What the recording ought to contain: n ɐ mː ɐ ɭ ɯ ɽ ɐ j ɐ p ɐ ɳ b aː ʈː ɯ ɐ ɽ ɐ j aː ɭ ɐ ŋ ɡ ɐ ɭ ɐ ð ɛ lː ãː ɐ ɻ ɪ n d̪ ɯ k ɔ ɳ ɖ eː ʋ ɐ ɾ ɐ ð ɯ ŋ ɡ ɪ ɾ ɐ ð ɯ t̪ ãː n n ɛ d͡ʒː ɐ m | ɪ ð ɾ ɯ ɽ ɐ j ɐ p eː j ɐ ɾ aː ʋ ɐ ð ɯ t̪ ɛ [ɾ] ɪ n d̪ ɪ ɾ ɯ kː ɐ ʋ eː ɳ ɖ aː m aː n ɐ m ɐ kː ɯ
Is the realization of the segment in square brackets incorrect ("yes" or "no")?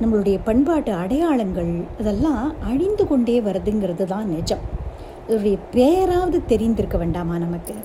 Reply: no